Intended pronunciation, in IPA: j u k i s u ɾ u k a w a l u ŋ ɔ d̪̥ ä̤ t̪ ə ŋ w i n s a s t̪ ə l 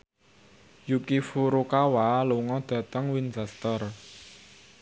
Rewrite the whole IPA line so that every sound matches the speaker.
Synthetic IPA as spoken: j u k i f u ɾ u k a w a l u ŋ ɔ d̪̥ ä̤ t̪ ə ŋ w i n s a s t̪ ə r